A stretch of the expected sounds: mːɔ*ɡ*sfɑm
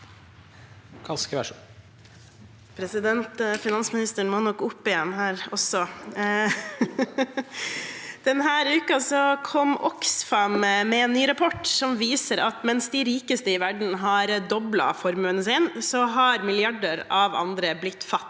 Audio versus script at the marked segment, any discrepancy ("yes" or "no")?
yes